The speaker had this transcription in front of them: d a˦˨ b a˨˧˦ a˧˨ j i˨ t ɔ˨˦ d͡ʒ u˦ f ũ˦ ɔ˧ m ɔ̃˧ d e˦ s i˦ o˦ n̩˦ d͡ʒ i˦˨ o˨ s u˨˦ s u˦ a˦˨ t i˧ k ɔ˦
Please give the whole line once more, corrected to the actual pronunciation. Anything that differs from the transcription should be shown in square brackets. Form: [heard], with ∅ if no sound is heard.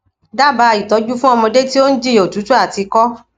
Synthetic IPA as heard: d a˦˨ b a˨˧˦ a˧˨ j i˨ t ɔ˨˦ d͡ʒ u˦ f ũ˦ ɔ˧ m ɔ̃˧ d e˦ [t] i˦ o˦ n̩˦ d͡ʒ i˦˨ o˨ [t] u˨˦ [t] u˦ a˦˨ t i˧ k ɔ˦